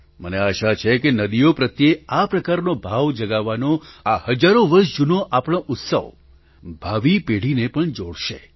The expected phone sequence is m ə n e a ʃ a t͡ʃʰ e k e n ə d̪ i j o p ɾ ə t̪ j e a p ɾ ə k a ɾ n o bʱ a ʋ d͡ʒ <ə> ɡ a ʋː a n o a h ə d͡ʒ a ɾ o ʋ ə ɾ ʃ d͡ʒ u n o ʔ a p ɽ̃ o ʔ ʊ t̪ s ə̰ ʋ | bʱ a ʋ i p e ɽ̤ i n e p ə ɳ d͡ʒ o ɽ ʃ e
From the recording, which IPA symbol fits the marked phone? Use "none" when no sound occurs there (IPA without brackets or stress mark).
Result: ə